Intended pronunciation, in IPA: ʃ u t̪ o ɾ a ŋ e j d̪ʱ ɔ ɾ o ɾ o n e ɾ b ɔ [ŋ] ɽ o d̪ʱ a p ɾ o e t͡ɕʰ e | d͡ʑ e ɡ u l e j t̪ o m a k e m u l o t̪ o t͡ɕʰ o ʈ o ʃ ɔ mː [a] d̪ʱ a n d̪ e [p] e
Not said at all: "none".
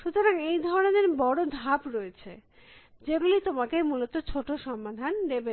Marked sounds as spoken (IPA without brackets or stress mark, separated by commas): none, a, b